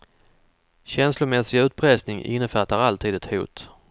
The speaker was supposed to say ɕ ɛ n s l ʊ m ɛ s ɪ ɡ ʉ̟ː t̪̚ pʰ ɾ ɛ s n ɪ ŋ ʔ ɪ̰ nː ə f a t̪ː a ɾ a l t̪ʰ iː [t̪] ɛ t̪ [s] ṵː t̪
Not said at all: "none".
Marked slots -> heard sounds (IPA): d̪, h

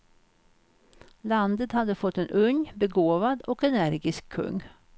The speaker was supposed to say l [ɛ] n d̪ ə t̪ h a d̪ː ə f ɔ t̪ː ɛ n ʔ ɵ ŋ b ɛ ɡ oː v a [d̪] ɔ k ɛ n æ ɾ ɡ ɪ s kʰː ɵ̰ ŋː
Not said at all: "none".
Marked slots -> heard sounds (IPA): a, d̪

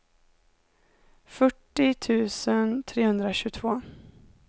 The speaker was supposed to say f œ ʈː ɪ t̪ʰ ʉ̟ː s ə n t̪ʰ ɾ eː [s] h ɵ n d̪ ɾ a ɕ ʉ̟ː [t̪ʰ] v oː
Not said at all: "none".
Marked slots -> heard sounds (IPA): none, t̪ʰ

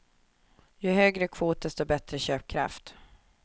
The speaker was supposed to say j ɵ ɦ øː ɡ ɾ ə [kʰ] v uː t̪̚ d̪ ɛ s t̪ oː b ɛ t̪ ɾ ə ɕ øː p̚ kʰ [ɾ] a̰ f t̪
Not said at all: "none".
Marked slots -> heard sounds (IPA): kʰ, ɾ

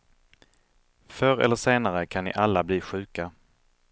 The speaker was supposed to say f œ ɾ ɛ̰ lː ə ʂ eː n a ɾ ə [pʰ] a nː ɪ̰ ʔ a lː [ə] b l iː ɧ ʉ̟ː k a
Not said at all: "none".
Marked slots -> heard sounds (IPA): kʰ, a

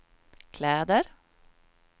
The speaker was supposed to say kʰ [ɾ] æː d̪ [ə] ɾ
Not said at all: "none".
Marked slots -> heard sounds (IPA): l, ə

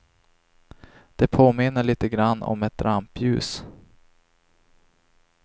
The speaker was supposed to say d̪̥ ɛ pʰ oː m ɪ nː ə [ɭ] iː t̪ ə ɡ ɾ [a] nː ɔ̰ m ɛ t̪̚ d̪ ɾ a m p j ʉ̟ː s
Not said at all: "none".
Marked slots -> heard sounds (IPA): ɭ, a

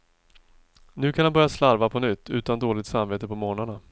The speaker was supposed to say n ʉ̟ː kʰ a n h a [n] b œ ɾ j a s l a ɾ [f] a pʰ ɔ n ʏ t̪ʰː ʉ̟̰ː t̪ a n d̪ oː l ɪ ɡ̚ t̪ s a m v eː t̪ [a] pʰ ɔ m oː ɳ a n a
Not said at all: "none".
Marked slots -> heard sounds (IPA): n, v, ə

